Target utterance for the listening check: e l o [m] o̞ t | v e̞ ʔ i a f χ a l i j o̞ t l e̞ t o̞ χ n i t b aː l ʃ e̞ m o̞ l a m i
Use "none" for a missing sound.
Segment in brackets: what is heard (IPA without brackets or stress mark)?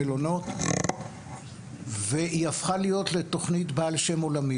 n